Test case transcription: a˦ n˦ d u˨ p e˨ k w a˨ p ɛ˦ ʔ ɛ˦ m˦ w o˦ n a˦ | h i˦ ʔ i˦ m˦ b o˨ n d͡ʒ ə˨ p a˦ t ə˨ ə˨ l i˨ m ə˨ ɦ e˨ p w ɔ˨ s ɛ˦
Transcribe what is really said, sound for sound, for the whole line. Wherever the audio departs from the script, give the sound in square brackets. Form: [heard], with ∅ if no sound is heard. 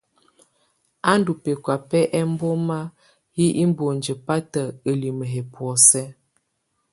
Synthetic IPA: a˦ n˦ d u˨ p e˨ k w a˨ p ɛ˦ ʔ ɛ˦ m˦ [b] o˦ [m] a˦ | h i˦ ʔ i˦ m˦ b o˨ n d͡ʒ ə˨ p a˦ t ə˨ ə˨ l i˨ m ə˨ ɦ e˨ p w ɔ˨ s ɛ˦